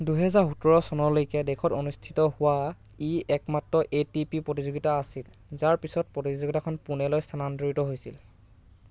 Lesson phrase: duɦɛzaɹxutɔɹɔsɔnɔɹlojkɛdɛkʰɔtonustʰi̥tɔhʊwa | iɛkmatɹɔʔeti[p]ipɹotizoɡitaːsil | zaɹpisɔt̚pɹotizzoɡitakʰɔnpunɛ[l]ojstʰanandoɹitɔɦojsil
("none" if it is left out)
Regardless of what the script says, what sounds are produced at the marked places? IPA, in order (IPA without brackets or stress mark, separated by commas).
p, l